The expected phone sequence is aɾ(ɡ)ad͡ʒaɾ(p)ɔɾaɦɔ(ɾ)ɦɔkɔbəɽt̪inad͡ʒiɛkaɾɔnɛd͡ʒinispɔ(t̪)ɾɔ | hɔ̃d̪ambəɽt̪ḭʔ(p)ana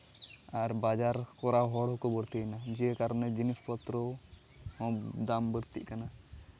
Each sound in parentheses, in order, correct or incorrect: incorrect: b, incorrect: k, incorrect: ɽ, correct, incorrect: k

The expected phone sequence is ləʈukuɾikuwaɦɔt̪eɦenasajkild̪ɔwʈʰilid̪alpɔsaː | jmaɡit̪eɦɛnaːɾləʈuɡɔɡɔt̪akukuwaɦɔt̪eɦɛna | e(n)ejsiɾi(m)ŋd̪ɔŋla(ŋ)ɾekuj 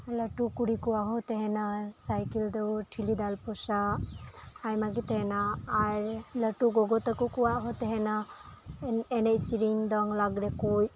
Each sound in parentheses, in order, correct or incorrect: correct, incorrect: none, incorrect: ɡ

